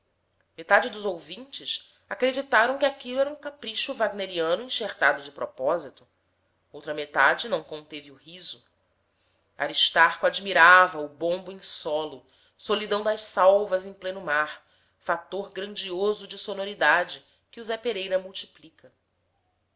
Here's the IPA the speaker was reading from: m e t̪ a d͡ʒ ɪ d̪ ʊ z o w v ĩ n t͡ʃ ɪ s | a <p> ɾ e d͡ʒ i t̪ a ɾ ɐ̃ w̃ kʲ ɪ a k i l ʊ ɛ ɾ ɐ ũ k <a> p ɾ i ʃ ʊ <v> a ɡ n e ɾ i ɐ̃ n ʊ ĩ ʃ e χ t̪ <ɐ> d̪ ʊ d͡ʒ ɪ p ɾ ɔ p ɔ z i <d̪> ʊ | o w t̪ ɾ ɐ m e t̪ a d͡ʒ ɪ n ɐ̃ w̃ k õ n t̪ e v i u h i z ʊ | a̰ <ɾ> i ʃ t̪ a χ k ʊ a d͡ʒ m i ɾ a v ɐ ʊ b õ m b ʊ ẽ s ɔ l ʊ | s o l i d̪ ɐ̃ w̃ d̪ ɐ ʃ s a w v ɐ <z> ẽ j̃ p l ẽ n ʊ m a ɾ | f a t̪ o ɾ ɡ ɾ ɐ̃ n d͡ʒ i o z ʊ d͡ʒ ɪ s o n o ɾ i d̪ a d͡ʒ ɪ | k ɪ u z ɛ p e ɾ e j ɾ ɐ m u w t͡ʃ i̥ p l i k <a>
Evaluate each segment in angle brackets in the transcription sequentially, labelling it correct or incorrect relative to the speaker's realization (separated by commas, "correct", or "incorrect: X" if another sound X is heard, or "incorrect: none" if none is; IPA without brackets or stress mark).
incorrect: k, correct, correct, incorrect: a, incorrect: t̪, correct, correct, incorrect: ɐ